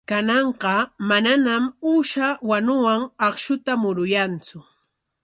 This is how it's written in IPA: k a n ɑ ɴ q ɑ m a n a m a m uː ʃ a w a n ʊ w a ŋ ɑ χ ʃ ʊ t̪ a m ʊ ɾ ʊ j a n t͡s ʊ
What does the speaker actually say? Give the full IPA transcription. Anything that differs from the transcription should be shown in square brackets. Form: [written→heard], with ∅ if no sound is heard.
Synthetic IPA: k a n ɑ ɴ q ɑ m a n a [m→n] a m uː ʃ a w a n ʊ w a ŋ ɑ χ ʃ ʊ t̪ a m ʊ ɾ ʊ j a n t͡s ʊ